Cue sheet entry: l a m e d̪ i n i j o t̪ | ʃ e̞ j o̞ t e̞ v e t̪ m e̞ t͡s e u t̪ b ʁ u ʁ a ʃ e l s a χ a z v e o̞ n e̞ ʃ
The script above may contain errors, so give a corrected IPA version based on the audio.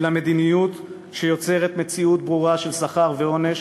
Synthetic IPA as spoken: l a m e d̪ i n i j u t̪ | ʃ e̞ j o̞ t͡s e̞ ʁ e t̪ m e̞ t͡s i u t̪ b ʁ u ʁ a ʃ e l s a χ a ʁ v e o̞ n e̞ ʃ